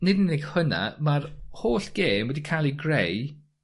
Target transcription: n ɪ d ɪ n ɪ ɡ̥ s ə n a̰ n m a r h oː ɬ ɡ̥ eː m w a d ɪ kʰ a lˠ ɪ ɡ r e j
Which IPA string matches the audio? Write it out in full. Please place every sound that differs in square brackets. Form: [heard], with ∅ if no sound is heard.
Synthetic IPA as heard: n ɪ d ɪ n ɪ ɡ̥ [h] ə n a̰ [∅] m a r h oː ɬ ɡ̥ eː m w [ɛ] d [i] kʰ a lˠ [i] ɡ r e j